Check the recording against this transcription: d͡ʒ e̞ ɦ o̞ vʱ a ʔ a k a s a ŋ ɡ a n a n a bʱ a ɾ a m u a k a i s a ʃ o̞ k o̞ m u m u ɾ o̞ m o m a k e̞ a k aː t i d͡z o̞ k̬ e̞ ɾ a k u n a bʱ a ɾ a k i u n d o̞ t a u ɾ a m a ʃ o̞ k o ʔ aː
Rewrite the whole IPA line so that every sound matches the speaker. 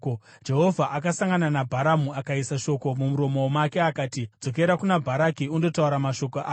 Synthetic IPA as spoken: d͡ʒ e̞ ɦ o̞ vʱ a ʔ a k a s a ŋ ɡ a n a n a bʱ a ɾ a m u a k a i s a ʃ o̞ k o̞ m u m u ɾ o̞ m o m a k e̞ a k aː t i d͡z o̞ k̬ e̞ ɾ a k u n a bʱ a ɾ a k i u n d o̞ t a u ɾ a m a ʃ o̞ k o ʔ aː